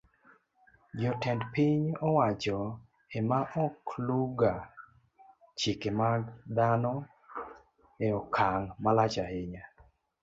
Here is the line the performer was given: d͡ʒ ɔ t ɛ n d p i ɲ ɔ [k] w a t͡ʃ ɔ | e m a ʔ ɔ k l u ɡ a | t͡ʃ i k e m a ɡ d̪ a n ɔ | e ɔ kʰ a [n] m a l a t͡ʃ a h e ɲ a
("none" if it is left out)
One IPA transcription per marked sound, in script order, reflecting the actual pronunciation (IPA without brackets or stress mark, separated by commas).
none, ŋ